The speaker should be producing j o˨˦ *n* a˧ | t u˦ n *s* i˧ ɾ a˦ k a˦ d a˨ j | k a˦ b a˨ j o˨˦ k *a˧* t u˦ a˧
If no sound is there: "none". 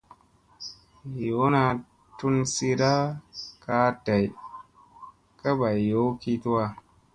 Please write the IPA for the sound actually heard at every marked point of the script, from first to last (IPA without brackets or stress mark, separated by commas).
n, s, i˧